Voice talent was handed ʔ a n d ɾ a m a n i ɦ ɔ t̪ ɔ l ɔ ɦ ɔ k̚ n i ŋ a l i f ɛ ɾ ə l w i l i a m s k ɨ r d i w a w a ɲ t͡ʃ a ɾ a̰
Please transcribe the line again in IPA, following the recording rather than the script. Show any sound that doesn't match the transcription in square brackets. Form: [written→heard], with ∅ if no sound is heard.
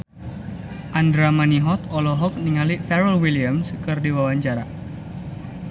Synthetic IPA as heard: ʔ a n d ɾ a m a n i ɦ ɔ t̪ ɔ l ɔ ɦ ɔ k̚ n i ŋ a l i f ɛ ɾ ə l w i l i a m s k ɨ r d i w a w a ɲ t͡ʃ a ɾ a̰